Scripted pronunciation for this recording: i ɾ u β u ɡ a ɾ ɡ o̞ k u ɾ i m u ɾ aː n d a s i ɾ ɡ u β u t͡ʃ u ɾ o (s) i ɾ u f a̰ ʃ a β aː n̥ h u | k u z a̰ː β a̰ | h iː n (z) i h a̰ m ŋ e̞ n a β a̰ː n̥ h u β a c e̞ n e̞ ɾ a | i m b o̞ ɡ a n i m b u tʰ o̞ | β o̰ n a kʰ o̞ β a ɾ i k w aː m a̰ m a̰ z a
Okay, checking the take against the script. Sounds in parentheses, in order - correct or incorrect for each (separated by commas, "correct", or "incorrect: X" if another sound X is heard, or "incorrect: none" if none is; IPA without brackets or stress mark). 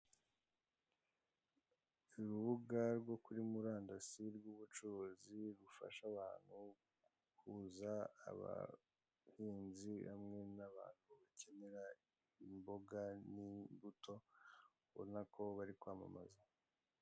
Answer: incorrect: z, correct